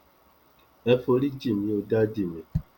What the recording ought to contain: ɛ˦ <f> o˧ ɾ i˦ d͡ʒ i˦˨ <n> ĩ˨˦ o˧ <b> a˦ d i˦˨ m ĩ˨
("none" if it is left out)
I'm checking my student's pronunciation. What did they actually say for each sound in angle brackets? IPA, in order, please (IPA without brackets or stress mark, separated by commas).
f, m, d